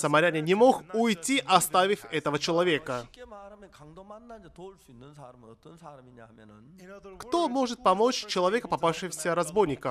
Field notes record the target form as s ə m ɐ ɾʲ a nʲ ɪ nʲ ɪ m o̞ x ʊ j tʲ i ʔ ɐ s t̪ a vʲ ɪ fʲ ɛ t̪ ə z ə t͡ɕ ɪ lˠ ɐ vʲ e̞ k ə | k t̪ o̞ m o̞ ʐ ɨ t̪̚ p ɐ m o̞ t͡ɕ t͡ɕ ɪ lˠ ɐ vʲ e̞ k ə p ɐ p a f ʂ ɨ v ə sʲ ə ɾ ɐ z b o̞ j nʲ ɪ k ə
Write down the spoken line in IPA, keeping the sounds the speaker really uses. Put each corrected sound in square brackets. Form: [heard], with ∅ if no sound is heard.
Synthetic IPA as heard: s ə m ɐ ɾʲ a nʲ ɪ nʲ ɪ m o̞ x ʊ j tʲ i ʔ ɐ s t̪ a vʲ ɪ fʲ ɛ t̪ ə [v] ə t͡ɕ ɪ lˠ ɐ vʲ e̞ k ə | k t̪ o̞ m o̞ ʐ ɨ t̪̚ p ɐ m o̞ t͡ɕ t͡ɕ ɪ lˠ ɐ vʲ e̞ k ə p ɐ p a f ʂ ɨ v ə sʲ ə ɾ ɐ z b o̞ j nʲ ɪ k ə